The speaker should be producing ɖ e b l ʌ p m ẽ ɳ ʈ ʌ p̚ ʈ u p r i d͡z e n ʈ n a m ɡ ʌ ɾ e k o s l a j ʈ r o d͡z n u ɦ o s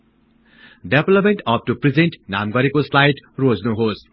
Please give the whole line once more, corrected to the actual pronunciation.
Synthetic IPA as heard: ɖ e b l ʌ p m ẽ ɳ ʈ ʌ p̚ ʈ u p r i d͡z e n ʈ n a m ɡ ʌ ɾ e k o s l a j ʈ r o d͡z n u ɦ o s